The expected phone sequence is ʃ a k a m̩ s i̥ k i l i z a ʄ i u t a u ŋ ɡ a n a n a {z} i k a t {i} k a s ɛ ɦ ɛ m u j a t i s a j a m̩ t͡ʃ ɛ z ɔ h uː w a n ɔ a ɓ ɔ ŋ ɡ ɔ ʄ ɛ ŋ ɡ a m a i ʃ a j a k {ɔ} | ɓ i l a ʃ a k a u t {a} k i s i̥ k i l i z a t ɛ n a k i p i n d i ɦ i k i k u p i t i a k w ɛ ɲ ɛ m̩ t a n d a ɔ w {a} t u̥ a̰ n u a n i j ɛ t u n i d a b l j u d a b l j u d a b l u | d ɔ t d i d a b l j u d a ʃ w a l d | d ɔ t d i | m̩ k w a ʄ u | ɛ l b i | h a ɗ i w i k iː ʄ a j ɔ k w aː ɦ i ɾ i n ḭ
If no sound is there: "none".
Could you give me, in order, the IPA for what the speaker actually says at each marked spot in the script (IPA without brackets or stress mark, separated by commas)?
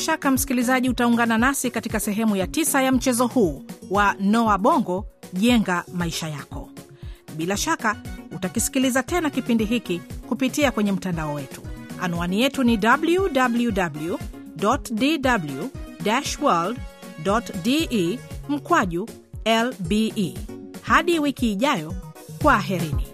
s, i, ɔ, a, ɛ